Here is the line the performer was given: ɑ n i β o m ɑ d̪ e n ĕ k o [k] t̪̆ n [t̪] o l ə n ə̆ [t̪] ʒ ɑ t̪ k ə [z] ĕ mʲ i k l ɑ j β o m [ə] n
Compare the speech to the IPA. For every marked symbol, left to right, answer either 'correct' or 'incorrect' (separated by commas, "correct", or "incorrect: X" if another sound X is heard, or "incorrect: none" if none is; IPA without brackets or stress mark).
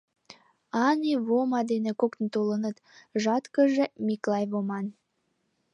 correct, correct, correct, incorrect: ʒ, incorrect: ɑ